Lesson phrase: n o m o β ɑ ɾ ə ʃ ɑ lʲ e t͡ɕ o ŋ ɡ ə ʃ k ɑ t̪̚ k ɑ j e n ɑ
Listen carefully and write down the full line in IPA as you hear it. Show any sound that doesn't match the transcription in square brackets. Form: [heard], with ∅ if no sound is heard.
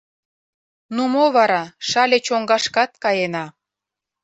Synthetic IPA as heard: n [u] m o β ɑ ɾ [ɑ] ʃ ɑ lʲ e t͡ɕ o ŋ ɡ [ɑ] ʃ k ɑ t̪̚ k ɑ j e n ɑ